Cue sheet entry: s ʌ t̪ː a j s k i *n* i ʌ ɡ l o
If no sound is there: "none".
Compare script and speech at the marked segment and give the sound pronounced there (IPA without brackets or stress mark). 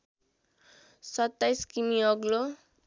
m